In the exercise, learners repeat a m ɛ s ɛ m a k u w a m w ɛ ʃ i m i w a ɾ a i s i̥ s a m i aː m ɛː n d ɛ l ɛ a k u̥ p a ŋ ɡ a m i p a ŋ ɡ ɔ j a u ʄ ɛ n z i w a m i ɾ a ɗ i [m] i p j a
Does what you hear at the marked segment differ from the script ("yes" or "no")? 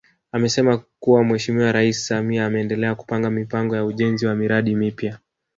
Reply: no